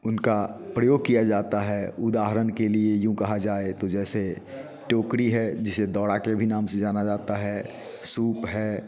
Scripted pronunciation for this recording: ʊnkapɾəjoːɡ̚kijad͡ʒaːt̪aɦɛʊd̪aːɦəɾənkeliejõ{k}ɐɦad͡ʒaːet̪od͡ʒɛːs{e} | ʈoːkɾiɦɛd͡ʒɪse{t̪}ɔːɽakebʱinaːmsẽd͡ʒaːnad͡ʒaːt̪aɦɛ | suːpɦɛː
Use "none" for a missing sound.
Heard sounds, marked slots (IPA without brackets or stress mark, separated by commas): k, e, d̪